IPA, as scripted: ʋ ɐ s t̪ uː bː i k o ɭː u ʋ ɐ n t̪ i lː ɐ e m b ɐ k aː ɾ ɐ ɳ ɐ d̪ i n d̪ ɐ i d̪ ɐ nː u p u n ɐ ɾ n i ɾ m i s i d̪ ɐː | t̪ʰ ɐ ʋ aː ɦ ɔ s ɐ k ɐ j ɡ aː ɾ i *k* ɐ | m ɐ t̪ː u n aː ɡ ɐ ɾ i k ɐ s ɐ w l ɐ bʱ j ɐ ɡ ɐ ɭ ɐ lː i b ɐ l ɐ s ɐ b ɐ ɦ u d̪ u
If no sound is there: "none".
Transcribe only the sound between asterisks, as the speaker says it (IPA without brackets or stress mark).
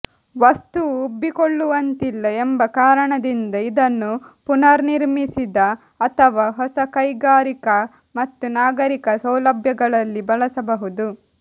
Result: k